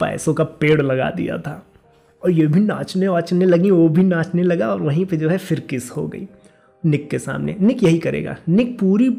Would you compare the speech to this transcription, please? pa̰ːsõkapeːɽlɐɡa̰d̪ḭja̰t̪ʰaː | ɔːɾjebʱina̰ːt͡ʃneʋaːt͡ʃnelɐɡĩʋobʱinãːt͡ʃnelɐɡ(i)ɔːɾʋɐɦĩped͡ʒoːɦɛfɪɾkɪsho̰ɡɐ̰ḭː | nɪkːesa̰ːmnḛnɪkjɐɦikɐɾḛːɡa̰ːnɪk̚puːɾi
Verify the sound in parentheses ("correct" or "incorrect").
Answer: incorrect